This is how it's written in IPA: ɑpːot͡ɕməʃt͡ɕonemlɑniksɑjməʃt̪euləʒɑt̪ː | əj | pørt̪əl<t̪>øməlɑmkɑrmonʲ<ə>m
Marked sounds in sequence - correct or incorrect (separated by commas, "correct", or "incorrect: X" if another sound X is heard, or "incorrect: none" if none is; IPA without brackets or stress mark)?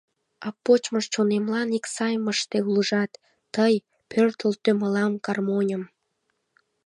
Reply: correct, correct